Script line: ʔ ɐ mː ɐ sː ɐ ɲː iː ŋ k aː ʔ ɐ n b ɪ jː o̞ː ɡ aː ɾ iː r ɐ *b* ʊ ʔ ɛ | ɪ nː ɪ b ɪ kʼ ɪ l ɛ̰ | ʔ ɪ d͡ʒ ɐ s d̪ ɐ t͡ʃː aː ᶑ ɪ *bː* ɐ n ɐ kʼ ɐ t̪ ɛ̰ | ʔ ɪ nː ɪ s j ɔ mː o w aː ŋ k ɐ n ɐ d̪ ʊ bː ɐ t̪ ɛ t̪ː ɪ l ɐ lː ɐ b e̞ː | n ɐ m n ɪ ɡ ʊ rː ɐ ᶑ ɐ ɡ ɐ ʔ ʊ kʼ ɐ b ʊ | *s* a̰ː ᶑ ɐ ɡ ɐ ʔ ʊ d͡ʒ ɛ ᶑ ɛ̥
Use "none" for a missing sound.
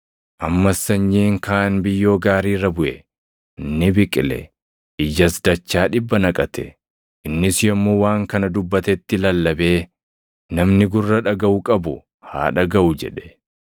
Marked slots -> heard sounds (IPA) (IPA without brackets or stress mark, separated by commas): b, bː, h